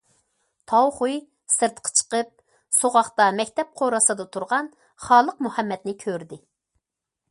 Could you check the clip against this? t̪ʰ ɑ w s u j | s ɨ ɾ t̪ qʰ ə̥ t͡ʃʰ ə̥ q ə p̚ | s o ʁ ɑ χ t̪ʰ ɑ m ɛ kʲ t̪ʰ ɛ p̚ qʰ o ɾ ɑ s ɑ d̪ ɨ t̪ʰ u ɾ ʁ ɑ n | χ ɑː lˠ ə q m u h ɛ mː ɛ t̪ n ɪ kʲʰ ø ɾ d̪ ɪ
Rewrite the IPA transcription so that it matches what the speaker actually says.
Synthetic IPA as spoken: t̪ʰ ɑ w χ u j | s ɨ ɾ t̪ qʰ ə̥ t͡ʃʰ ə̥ q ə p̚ | s o ʁ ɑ χ t̪ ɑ m ɛ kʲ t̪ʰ ɛ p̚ qʰ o ɾ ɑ s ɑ d̪ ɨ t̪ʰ u ɾ ʁ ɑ n | χ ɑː lˠ ə q m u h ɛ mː ɛ t̪ n ɪ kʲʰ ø ɾ d̪ ɪ